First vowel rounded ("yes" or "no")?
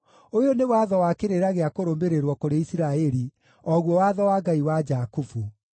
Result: yes